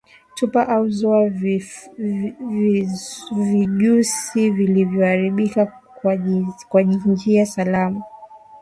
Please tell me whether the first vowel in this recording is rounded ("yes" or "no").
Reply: yes